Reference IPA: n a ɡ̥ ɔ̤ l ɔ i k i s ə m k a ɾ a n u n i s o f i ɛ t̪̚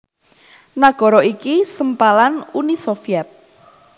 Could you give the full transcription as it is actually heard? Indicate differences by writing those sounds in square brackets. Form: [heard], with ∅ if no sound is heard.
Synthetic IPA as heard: n a ɡ̥ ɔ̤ [ɾ] ɔ i k i s ə m [p] a [l] a n u n i s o f i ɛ t̪̚